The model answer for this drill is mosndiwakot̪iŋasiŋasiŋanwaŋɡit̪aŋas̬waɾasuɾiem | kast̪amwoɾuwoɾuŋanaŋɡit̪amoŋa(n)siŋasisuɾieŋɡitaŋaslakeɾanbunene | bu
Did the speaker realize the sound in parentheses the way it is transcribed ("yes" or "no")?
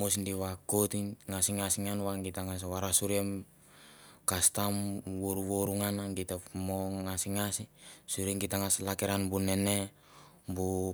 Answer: no